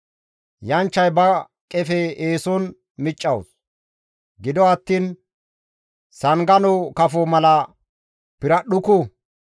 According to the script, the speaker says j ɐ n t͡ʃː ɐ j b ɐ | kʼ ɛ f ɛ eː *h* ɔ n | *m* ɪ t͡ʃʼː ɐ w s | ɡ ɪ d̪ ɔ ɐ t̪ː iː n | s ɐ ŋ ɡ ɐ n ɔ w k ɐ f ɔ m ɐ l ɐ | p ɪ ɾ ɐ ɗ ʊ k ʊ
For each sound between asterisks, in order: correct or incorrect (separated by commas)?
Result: incorrect, correct